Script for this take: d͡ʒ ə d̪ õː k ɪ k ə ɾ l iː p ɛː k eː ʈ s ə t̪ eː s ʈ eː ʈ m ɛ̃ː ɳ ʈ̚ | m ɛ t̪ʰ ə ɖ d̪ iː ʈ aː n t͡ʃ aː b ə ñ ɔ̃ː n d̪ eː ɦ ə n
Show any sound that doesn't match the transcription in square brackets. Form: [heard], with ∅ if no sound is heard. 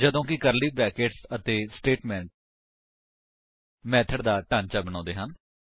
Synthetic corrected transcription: d͡ʒ ə d̪ õː k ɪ k ə ɾ l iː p ɛː k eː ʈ s ə t̪ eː s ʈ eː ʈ m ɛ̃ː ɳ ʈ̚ | m [ɛː] t̪ʰ ə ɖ d̪ [aː] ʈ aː n t͡ʃ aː b ə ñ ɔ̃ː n d̪ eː ɦ ə n